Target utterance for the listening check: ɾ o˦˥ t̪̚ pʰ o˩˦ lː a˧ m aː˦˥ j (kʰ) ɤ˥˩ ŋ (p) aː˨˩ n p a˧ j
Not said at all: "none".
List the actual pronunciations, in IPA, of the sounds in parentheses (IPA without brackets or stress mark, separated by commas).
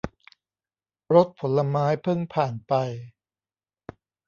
pʰ, pʰ